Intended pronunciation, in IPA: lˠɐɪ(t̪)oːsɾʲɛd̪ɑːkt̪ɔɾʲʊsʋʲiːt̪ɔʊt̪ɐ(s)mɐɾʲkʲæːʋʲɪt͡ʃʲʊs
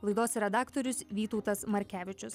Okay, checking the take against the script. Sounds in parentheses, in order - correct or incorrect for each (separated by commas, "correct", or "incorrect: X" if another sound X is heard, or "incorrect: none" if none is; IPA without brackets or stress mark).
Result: incorrect: d̪, correct